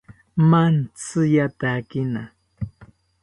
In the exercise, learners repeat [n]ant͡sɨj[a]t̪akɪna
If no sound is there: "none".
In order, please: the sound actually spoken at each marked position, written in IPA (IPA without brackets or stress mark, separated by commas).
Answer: m, a